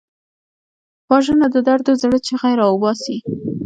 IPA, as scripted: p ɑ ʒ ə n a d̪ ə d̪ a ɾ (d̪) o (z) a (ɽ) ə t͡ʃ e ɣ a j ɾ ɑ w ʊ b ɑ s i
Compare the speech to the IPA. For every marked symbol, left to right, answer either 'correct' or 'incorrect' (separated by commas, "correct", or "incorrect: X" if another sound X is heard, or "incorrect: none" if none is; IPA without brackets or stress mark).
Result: correct, correct, correct